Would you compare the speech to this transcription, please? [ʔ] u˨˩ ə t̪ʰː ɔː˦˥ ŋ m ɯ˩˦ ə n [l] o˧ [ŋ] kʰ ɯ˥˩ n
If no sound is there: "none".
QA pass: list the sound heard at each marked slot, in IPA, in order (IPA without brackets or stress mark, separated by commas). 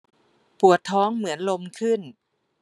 p, l, m